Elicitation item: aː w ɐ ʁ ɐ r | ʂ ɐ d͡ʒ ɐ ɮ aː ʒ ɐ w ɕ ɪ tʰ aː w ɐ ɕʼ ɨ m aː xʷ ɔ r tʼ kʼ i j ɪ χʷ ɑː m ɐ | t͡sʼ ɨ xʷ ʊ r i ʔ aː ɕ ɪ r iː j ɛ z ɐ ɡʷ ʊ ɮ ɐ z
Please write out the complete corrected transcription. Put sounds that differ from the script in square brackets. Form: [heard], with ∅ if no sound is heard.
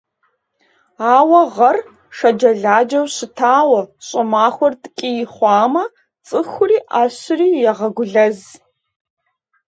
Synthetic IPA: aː w ɐ ʁ ɐ r | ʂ ɐ d͡ʒ ɐ ɮ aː [d͡ʒ] ɐ w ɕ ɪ tʰ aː w ɐ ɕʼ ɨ m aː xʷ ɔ r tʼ kʼ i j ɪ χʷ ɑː m ɐ | t͡sʼ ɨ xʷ ʊ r [iː] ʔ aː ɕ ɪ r iː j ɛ [ʁ] ɐ ɡʷ ʊ ɮ ɐ z